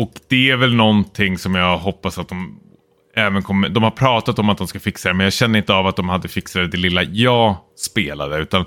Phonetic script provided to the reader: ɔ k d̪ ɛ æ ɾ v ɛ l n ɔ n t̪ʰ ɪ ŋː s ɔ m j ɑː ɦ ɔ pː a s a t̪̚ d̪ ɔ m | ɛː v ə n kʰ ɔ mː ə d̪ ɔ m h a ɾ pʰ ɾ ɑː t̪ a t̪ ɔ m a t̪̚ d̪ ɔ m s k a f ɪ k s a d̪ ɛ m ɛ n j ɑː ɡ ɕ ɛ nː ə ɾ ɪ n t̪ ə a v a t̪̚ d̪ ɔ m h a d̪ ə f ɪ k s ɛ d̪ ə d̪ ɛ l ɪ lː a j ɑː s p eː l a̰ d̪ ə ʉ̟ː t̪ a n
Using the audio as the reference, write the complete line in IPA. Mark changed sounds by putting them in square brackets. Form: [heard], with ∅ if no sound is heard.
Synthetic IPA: ɔ k d̪ ɛ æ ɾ v ɛ l n ɔ n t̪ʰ ɪ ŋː s ɔ m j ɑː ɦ ɔ pː a s a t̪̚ d̪ ɔ m | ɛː v ə n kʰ ɔ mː ə d̪ ɔ m h a ɾ pʰ ɾ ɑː t̪ a t̪ ɔ m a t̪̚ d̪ ɔ m s k a f ɪ k s a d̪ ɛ m ɛ n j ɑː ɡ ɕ ɛ nː ə ɾ ɪ n t̪ ə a v a t̪̚ d̪ ɔ m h a [d̪ː] ə f ɪ k s [a] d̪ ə d̪ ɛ l ɪ lː a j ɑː s p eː l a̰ d̪ ə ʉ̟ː t̪ a n